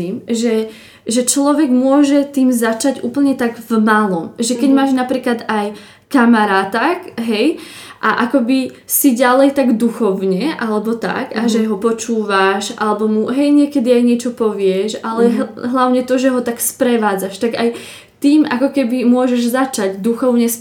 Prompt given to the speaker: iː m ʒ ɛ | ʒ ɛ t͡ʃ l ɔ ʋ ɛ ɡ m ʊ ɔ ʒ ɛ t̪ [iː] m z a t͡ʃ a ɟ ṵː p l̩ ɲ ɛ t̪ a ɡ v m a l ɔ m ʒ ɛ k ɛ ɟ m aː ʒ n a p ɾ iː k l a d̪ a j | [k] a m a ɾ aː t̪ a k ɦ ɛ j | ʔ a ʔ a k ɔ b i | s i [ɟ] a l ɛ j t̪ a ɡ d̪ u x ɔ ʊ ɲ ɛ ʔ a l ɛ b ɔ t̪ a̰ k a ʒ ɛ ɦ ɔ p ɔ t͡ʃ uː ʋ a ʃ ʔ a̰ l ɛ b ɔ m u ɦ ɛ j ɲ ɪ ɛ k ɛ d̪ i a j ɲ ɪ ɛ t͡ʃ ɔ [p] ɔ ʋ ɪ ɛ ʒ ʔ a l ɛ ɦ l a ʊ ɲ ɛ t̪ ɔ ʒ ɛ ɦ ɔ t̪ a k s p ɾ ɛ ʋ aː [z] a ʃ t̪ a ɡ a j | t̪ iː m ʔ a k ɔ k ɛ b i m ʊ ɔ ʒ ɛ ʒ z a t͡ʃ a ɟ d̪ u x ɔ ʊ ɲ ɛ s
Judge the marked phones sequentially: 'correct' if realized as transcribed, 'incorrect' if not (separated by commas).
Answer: correct, correct, correct, correct, incorrect